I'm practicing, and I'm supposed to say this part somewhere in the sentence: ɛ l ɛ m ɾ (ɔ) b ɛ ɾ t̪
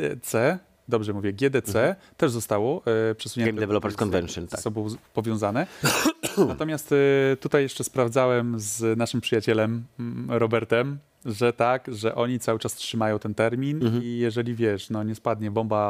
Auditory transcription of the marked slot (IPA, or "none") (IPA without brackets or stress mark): ɔ